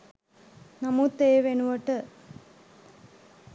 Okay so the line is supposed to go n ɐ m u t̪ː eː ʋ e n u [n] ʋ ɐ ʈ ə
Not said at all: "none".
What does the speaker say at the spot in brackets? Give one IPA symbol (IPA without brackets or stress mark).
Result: none